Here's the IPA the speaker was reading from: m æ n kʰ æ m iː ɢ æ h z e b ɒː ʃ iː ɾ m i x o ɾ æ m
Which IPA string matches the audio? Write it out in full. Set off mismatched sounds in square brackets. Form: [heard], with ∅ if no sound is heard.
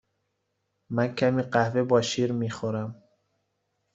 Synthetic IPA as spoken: m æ n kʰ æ m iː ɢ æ h [v] e b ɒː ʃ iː ɾ m i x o ɾ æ m